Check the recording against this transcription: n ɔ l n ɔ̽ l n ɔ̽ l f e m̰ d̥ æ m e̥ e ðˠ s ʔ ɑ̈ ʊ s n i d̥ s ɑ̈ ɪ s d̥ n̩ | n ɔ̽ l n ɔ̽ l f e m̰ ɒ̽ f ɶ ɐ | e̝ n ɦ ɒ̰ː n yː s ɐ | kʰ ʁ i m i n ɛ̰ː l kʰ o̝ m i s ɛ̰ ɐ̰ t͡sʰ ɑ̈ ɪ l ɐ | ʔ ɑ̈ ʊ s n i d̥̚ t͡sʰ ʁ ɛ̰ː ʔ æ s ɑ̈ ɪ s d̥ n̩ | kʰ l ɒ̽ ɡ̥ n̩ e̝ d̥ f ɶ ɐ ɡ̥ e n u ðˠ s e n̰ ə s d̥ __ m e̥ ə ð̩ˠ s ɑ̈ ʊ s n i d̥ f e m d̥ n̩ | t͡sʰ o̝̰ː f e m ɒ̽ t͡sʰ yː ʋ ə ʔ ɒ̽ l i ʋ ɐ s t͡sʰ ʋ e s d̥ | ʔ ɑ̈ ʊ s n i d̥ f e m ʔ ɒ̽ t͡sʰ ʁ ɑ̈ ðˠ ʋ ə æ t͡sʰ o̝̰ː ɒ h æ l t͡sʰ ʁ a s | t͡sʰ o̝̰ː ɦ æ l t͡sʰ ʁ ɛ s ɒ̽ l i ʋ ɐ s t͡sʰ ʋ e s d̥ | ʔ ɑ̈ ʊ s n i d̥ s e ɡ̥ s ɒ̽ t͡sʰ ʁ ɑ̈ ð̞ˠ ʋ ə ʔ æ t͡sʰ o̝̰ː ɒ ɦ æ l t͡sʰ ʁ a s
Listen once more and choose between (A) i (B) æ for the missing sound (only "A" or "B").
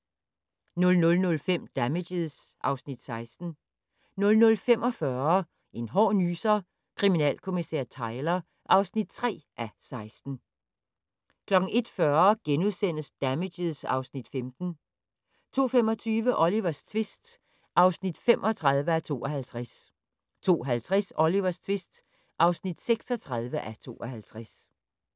B